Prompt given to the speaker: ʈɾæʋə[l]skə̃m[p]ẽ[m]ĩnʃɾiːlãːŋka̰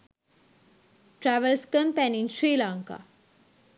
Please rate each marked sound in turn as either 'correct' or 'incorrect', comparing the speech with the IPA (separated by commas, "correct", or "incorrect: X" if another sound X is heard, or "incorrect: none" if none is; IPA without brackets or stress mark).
correct, correct, incorrect: n